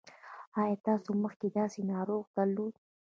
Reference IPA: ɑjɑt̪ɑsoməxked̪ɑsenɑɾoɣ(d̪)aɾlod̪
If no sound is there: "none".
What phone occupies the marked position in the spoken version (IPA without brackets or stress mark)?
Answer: d̪